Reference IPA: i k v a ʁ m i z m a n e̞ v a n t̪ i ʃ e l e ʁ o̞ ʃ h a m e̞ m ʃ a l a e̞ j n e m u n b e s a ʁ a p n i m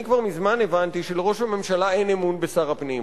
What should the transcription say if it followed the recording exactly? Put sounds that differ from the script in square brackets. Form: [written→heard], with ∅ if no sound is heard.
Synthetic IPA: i k v a ʁ m i z m a n e̞ v a n t̪ i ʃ e l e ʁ o̞ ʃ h a m e̞ m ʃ a l a e̞ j n e m u n b e s a ʁ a p n i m